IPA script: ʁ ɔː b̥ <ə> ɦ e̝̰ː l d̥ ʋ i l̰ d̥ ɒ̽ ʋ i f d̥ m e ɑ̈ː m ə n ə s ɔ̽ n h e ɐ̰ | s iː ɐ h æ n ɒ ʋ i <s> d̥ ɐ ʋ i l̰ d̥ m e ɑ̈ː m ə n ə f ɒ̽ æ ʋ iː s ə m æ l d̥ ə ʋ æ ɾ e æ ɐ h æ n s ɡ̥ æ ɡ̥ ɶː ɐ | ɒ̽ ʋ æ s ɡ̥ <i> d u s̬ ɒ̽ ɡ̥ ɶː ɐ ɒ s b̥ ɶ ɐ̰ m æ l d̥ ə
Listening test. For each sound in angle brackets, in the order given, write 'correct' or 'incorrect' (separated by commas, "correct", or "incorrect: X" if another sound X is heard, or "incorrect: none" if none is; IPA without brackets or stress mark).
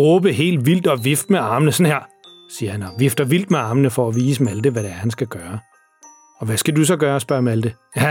correct, incorrect: f, incorrect: æ